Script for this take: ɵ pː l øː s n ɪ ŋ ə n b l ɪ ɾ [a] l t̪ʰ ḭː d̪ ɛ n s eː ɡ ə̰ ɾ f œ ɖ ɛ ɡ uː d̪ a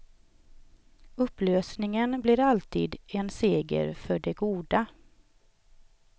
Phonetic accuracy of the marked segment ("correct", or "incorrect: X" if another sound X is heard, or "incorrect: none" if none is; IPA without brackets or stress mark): correct